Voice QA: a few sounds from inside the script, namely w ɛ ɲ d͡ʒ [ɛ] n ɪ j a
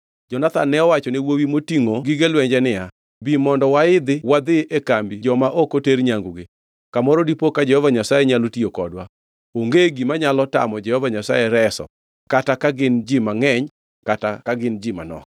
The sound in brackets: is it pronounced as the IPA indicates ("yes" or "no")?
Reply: yes